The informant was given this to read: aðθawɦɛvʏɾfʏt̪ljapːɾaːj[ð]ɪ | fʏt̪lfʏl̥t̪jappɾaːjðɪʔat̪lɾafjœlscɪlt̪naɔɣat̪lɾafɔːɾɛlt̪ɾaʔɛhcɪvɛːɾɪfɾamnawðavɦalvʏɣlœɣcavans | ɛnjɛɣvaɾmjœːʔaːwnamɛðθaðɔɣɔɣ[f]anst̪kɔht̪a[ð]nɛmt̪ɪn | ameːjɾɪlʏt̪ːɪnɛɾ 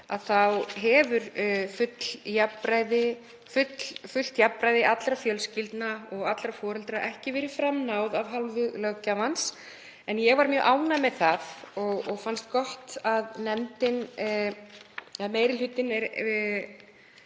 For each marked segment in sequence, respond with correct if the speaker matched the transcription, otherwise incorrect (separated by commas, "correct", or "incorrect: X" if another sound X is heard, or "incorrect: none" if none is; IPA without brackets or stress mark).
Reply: correct, correct, correct